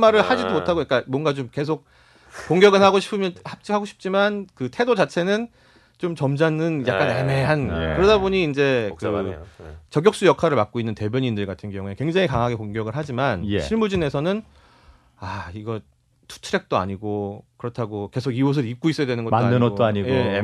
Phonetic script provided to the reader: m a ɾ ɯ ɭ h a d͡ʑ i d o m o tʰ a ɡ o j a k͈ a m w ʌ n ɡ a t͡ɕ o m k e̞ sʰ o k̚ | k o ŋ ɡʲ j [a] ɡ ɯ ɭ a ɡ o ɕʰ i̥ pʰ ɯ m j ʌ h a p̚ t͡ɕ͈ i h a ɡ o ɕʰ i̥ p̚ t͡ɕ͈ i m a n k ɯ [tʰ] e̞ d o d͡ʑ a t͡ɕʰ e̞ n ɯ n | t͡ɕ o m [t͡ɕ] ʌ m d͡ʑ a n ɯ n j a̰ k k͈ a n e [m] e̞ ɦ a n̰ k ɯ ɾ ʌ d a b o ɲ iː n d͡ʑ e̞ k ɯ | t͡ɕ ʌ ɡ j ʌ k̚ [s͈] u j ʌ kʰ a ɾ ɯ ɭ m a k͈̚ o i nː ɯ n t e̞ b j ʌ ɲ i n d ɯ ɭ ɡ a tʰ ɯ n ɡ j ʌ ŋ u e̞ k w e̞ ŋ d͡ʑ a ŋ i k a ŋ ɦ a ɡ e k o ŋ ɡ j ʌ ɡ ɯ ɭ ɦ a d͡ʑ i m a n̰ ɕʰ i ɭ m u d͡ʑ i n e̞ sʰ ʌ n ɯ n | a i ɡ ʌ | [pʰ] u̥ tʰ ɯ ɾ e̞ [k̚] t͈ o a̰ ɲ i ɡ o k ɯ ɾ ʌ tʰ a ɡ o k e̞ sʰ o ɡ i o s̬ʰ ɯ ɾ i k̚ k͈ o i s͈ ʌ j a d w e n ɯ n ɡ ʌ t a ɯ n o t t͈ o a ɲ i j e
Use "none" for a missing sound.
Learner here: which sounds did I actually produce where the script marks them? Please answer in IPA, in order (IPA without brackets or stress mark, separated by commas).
ʌ, tʰ, t͡ɕ, m, s͈, tʰ, k̚